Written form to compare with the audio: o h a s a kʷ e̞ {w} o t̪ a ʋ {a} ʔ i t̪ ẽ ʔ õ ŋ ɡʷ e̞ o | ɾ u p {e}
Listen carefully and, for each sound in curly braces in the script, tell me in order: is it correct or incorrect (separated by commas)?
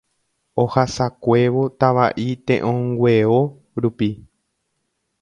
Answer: incorrect, correct, incorrect